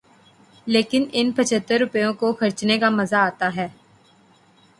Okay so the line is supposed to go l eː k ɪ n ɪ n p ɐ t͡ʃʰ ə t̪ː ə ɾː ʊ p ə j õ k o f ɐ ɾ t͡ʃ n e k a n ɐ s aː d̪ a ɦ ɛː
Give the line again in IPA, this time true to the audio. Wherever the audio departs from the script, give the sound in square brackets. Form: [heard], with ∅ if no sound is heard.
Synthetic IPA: l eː k ɪ n ɪ n p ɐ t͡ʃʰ ə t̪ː ə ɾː ʊ p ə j õ k o [x] ɐ ɾ t͡ʃ n e k a [m] ɐ [z] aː [t̪] a ɦ ɛː